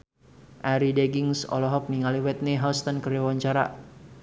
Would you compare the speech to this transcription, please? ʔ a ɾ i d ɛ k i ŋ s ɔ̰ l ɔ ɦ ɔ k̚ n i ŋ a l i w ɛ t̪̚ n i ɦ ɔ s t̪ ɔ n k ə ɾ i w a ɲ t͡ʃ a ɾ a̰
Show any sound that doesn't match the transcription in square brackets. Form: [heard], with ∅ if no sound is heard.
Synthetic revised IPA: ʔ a ɾ i d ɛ [ɡ] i ŋ s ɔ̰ l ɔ ɦ ɔ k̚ n i ŋ a l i w ɛ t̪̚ n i ɦ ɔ s t̪ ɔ n k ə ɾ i w a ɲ t͡ʃ a ɾ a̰